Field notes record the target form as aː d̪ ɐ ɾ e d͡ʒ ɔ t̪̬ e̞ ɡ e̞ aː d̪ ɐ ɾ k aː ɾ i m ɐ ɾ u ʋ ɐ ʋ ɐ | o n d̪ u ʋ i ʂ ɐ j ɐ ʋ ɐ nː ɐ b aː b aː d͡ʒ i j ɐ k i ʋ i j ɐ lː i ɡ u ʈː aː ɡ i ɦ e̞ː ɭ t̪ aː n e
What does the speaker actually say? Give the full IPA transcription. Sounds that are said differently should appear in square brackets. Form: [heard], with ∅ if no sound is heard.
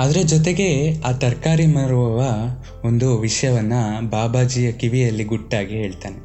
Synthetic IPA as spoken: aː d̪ ɐ ɾ e d͡ʒ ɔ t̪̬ e̞ ɡ e̞ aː [t̪] ɐ ɾ k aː ɾ i m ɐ ɾ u ʋ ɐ ʋ ɐ | o n d̪ u ʋ i ʂ ɐ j ɐ ʋ ɐ nː ɐ b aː b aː d͡ʒ i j ɐ k i ʋ i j ɐ lː i ɡ u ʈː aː ɡ i ɦ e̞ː ɭ t̪ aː n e